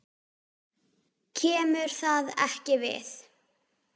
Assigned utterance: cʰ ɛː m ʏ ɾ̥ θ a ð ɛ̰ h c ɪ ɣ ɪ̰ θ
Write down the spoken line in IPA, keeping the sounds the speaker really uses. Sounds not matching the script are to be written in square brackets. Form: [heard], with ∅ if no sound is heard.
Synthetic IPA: cʰ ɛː m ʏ ɾ̥ θ a ð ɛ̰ h c ɪ [v] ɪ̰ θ

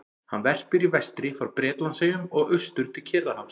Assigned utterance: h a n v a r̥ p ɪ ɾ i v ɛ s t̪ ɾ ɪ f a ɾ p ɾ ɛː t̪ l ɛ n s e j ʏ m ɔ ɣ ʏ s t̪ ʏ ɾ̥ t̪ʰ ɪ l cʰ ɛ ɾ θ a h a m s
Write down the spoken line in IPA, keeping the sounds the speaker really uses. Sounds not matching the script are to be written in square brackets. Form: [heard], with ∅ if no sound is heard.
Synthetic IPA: h a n v [ɛ] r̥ p ɪ ɾ i v ɛ s t̪ ɾ ɪ f a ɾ p ɾ ɛː t̪ l [a] n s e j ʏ m ɔ ɣ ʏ s t̪ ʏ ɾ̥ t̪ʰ ɪ l cʰ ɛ ɾ [ð] a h a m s

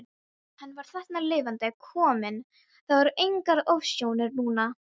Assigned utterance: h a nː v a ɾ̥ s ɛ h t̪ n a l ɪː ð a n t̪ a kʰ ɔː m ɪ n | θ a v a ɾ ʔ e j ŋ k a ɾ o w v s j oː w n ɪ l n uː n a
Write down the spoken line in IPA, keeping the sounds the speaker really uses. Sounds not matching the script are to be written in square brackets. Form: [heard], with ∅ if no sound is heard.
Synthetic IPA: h a nː v a ɾ̥ [θ] ɛ h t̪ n a l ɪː [v] a n t̪ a kʰ ɔː m ɪ n | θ a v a ɾ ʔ e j ŋ k a ɾ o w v s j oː w n ɪ [ɾ] n uː n a

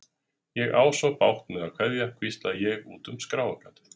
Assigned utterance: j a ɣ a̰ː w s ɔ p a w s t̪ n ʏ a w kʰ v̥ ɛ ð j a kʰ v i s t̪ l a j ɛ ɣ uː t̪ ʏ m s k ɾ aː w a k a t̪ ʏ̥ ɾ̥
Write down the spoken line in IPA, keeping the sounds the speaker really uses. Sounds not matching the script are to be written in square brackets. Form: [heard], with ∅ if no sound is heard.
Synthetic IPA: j [ɛ] ɣ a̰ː w s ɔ p a w [h] t̪ n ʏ a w kʰ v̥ ɛ ð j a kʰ v i s t̪ l a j ɛ ɣ uː t̪ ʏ m s k ɾ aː w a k a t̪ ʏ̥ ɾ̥

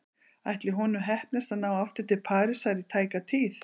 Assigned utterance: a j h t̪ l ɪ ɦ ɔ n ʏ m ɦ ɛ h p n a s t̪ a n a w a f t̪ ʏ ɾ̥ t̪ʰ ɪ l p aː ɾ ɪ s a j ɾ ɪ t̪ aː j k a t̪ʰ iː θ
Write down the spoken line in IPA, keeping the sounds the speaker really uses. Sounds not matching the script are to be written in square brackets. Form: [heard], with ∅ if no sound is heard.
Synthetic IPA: a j h t̪ l ɪ ɦ ɔ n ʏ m ɦ ɛ h p n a s t̪ a n a w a f t̪ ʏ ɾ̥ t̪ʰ ɪ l [pʰ] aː ɾ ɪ s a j ɾ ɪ [t̪ʰ] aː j k a t̪ʰ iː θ

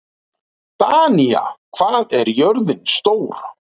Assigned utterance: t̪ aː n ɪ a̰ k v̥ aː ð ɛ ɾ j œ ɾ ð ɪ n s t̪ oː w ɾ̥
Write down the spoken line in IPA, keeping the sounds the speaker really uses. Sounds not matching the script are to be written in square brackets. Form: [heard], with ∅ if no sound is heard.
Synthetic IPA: t̪ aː n [i] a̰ [kʰ] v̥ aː ð ɛ ɾ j œ ɾ ð ɪ n s t̪ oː w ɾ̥

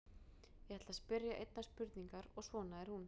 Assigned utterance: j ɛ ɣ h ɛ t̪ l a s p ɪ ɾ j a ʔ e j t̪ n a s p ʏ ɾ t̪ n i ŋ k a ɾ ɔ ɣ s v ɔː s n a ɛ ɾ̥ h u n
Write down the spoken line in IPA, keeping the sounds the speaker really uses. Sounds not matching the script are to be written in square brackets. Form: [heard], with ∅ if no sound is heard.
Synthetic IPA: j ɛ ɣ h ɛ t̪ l a s p ɪ ɾ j a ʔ e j t̪ n a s p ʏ ɾ t̪ n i ŋ k a ɾ ɔ ɣ s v ɔː [∅] n a ɛ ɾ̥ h u n

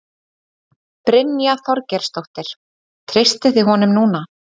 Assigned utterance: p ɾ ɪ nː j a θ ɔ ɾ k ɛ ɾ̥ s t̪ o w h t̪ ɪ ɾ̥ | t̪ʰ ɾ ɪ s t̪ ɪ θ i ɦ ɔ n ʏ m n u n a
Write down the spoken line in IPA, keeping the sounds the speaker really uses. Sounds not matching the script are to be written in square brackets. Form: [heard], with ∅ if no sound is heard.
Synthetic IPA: p ɾ ɪ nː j a θ ɔ ɾ [c] ɛ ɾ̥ s t̪ o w h t̪ ɪ ɾ̥ | t̪ʰ ɾ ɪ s t̪ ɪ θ [ɪ] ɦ ɔ n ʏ m n [uː] n a

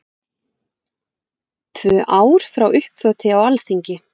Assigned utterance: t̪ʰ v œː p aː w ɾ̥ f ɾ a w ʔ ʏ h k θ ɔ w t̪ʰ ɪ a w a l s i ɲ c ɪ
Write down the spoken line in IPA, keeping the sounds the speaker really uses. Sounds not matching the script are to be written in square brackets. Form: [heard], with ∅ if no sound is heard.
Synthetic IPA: t̪ʰ v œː [ʔ] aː w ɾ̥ f ɾ a w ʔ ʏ h [p] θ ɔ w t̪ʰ ɪ a w a l s i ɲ c ɪ

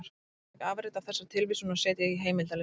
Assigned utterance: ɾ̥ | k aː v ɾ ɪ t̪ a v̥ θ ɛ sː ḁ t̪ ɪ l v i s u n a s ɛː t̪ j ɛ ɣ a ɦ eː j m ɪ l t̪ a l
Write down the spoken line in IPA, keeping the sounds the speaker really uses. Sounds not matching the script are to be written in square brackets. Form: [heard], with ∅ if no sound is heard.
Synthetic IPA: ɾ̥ | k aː v ɾ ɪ t̪ a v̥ θ ɛ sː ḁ [t̪ʰ] ɪ l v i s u n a s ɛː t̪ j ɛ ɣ [i] ɦ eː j m ɪ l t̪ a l

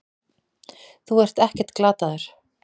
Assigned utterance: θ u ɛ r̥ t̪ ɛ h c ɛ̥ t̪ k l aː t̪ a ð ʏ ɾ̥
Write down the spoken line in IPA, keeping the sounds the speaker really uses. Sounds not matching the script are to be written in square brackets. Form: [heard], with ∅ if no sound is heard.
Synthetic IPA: θ u ɛ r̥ t̪ ɛ h c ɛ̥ t̪ k l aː t̪ a ð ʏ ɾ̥

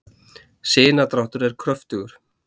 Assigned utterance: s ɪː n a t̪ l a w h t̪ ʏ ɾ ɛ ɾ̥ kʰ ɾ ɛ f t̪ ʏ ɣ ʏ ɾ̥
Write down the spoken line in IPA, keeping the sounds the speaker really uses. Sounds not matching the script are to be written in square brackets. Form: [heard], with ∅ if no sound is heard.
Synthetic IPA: s ɪː n a t̪ [ɾ] a w h t̪ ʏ ɾ ɛ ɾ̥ kʰ ɾ [œ] f t̪ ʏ ɣ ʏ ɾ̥

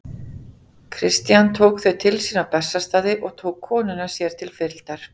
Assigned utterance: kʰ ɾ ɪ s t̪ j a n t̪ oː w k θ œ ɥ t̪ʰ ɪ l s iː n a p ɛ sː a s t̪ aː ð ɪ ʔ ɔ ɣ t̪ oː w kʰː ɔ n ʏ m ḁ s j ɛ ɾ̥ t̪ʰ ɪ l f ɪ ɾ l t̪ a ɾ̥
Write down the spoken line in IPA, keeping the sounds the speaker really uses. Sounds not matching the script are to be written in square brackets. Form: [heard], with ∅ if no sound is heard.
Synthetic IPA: kʰ ɾ ɪ s t̪ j a n [t̪ʰ] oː w k θ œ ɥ t̪ʰ ɪ l s iː n a p ɛ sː a s t̪ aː ð ɪ ʔ ɔ ɣ [t̪ʰ] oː w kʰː [ɔː] n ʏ [n] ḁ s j ɛ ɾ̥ t̪ʰ ɪ l f ɪ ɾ l t̪ a ɾ̥

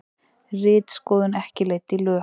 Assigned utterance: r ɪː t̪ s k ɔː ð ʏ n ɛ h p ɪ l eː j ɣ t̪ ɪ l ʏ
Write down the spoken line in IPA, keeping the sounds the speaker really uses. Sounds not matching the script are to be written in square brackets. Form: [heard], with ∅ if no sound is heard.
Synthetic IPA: r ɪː t̪ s k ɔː ð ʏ n ɛ h [c] ɪ l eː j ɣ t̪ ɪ l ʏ

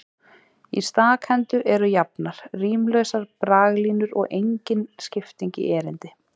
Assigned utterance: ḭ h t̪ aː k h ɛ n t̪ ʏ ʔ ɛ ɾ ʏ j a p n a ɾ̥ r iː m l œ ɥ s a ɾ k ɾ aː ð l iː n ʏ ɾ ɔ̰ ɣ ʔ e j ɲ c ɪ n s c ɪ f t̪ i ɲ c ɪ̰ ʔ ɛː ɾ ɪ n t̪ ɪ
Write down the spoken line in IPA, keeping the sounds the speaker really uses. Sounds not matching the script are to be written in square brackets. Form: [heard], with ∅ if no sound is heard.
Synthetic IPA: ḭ [s] t̪ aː k h ɛ n t̪ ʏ ʔ ɛ ɾ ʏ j a p n a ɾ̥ r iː m l œ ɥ s a ɾ [p] ɾ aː [ɣ] l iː n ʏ ɾ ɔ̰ ɣ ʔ e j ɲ c ɪ n s c ɪ f t̪ i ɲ c ɪ̰ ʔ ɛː ɾ ɪ n t̪ ɪ

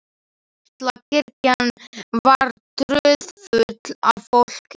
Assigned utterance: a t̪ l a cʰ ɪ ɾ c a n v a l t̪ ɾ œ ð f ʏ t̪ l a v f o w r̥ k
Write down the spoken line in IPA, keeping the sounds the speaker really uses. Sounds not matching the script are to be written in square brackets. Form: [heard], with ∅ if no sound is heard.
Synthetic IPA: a t̪ l a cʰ ɪ ɾ c a n v a [ɾ] t̪ ɾ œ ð f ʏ t̪ l a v f o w [l̥] k

